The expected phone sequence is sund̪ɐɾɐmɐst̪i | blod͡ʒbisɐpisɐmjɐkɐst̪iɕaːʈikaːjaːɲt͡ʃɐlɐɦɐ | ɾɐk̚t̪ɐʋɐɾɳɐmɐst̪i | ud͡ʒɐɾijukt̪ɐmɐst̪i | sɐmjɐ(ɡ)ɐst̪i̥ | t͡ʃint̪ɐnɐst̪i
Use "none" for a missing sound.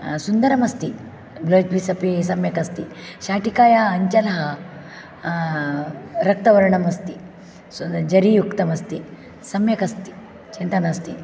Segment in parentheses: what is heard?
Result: k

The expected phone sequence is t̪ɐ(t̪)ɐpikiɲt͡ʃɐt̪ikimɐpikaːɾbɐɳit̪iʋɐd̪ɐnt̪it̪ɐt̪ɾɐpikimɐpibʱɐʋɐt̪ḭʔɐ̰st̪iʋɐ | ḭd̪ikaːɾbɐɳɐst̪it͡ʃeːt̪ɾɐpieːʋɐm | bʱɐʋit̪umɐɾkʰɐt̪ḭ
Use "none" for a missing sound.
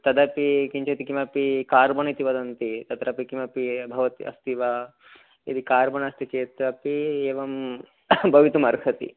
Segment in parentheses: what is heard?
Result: d̪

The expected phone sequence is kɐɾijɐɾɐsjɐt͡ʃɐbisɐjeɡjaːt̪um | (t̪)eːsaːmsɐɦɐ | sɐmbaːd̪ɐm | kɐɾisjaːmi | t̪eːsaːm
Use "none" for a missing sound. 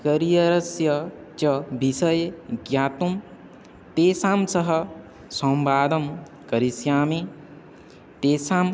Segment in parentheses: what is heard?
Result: t̪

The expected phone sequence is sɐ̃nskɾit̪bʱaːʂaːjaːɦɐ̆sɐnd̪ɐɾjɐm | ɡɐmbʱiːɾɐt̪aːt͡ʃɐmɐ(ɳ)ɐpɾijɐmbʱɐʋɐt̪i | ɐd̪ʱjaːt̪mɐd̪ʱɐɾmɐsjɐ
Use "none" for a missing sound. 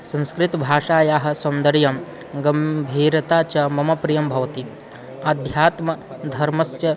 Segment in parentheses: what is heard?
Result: m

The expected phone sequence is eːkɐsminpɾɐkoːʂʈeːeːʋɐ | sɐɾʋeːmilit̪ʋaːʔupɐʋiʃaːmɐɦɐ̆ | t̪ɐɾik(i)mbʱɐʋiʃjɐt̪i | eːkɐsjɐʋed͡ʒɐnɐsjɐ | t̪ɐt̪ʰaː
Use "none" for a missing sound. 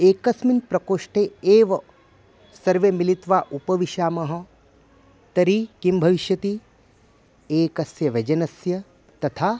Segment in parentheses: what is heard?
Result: i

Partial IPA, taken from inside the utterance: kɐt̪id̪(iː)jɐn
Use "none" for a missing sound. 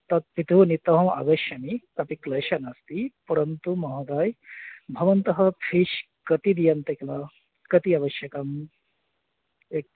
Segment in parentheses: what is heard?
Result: i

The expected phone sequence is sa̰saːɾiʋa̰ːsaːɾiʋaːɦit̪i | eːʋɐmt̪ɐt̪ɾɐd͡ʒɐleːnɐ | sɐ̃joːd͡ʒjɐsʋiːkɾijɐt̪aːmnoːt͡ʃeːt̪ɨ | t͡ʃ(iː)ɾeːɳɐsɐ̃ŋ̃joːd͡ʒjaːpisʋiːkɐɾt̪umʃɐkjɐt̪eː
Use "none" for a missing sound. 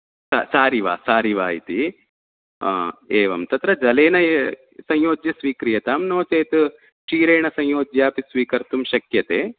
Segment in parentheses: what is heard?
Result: iː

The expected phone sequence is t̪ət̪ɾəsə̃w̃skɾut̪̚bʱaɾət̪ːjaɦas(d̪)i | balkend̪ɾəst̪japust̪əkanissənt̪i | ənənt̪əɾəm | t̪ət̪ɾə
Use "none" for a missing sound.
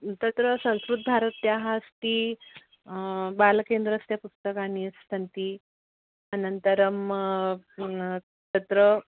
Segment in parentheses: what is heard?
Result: t̪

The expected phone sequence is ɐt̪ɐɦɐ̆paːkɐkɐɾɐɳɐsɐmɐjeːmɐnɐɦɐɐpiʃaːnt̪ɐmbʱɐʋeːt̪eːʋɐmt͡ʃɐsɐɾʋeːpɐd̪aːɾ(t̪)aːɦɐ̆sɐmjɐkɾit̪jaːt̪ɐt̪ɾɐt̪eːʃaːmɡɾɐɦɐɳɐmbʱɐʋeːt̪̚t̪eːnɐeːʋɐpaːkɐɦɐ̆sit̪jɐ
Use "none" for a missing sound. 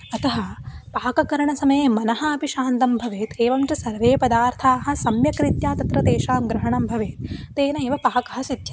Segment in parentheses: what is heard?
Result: t̪ʰ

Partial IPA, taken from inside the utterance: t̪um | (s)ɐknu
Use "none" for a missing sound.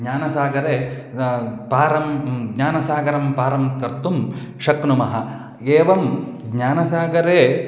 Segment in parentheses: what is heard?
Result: ʃ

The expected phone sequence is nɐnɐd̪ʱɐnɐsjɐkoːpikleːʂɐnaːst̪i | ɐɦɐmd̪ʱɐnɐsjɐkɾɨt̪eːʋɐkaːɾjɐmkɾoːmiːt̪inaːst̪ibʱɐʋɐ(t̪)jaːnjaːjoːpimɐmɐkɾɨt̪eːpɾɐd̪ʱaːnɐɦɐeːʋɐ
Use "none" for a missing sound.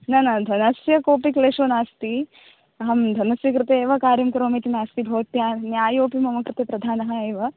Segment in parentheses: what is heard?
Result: t̪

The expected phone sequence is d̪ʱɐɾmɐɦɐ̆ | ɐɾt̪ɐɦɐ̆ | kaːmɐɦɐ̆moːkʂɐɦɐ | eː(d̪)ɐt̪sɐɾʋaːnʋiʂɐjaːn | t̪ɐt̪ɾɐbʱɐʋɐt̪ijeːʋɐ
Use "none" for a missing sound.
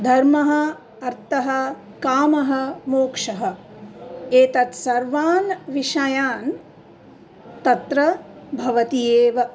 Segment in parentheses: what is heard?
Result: t̪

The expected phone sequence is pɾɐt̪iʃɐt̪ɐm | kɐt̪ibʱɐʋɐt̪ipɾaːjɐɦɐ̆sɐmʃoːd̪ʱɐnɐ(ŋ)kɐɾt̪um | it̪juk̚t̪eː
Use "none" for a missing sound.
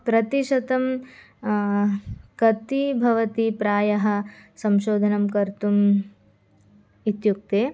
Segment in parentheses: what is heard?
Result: m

